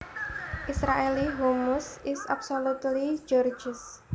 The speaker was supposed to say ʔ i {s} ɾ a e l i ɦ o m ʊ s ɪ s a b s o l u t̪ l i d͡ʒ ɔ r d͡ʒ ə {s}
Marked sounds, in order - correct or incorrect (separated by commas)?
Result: correct, correct